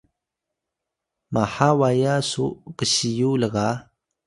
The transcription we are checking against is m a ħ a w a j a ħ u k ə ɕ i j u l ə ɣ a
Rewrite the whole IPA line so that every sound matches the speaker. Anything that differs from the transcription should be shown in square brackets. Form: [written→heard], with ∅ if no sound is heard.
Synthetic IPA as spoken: m a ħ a w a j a [ħ→s] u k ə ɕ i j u l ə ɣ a